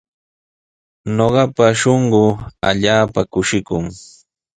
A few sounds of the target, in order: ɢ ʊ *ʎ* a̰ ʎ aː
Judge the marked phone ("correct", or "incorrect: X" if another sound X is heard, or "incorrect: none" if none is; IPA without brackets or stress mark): incorrect: none